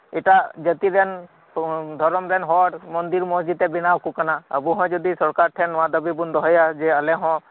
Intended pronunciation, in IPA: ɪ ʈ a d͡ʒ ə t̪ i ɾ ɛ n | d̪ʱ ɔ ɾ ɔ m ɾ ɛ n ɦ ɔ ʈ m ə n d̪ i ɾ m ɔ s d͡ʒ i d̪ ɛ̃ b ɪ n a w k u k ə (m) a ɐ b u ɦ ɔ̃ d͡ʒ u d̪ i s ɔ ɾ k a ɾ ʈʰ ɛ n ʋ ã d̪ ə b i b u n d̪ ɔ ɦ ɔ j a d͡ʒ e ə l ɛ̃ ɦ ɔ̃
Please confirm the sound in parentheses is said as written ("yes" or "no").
no